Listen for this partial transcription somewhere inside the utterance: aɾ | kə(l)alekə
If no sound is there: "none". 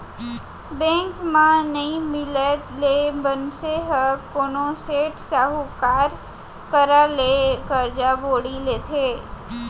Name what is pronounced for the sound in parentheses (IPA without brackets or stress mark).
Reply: ɾ